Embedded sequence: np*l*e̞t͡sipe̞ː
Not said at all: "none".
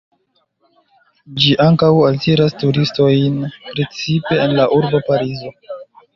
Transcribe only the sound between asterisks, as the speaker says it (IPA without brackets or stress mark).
ɾ